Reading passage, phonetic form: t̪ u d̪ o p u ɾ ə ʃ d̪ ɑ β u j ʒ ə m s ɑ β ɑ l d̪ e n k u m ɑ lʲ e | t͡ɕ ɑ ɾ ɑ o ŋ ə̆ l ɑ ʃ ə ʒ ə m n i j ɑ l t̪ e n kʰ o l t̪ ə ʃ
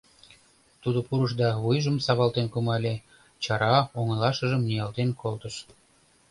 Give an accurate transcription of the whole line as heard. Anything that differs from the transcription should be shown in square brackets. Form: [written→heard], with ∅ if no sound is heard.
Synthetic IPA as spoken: t̪ u d̪ o p u ɾ ə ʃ d̪ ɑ β u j ʒ ə m s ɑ β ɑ l [d̪→t̪] e n k u m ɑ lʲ e | t͡ɕ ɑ ɾ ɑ o ŋ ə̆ l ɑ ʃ ə ʒ ə m n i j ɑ l t̪ e n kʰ o l t̪ ə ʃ